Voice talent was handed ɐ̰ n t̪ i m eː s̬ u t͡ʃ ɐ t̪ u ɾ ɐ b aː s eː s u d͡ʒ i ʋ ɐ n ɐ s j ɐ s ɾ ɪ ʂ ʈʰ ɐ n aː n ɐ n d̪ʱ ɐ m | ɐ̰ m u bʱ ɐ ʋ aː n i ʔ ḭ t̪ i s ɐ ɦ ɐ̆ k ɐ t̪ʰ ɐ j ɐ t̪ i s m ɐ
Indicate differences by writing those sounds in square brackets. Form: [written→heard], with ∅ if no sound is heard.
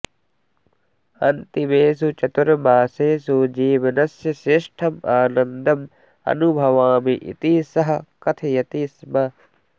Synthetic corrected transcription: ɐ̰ n t̪ i m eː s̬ u t͡ʃ ɐ t̪ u ɾ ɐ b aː s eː s u d͡ʒ [i→iː] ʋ ɐ n ɐ s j ɐ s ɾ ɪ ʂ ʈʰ ɐ [n→m] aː n ɐ n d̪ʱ ɐ m | ɐ̰ [m→n] u bʱ ɐ ʋ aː [n→m] i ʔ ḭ t̪ i s ɐ ɦ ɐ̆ k ɐ t̪ʰ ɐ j ɐ t̪ i s m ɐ